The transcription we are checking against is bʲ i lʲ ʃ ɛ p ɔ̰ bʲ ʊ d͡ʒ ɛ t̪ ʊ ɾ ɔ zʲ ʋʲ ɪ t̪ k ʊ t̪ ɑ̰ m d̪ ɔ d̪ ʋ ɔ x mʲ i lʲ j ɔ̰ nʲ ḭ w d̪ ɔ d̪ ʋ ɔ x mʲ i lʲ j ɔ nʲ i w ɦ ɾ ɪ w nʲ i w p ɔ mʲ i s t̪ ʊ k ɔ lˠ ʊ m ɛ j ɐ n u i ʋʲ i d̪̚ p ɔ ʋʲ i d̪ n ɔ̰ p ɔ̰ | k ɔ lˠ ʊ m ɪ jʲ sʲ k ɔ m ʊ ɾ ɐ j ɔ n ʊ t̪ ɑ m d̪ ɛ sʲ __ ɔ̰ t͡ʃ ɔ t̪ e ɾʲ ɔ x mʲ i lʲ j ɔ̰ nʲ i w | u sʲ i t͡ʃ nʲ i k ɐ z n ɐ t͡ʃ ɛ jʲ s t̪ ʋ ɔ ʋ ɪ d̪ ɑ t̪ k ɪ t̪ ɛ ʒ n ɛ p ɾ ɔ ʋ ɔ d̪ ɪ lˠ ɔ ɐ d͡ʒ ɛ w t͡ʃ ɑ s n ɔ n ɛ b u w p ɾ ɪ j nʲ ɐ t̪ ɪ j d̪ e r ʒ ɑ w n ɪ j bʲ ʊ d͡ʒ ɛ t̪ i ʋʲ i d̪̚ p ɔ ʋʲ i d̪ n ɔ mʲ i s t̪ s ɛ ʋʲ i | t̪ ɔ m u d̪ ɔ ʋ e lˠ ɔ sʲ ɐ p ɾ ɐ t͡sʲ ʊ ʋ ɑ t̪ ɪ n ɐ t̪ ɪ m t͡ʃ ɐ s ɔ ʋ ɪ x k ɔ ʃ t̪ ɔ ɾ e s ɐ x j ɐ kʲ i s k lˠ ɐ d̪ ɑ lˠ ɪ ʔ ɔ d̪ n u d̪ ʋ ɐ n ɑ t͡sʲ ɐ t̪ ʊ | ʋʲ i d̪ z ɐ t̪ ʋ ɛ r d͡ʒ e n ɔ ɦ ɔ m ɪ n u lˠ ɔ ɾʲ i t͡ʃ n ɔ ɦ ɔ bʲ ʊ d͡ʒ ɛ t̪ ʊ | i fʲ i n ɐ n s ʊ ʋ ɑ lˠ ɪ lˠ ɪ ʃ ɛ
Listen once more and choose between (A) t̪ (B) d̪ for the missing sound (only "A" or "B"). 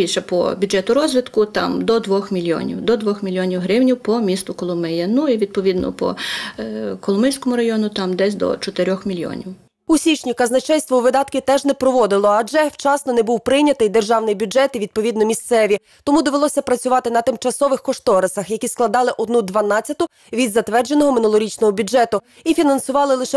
B